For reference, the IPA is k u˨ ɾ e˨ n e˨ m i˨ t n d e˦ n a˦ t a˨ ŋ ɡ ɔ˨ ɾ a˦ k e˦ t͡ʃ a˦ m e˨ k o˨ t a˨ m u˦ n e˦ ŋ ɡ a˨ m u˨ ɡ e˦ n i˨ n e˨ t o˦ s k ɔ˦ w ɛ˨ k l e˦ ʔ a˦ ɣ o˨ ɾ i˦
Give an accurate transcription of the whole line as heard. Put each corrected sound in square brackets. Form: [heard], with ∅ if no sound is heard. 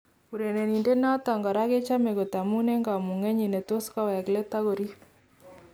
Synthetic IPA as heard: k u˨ ɾ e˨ n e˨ [n] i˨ [∅] n d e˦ n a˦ t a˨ ŋ ɡ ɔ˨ ɾ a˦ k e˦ t͡ʃ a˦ m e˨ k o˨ t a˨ m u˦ n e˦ ŋ ɡ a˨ m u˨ [ŋ] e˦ [ɲ] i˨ n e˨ t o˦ s k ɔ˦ w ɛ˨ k l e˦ [t] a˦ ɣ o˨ ɾ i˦